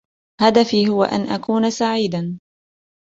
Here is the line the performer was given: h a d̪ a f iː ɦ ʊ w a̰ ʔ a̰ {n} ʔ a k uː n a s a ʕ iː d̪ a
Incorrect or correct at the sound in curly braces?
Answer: correct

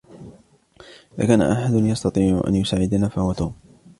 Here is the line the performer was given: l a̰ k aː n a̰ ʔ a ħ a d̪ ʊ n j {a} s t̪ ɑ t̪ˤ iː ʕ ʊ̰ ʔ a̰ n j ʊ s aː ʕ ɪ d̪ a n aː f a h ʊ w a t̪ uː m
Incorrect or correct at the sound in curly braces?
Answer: incorrect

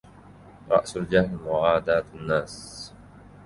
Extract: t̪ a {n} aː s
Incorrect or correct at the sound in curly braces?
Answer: incorrect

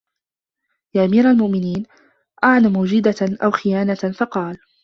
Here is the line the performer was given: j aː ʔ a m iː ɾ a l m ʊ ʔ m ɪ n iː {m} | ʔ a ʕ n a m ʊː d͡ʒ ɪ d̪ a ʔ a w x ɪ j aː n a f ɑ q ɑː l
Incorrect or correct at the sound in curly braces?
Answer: incorrect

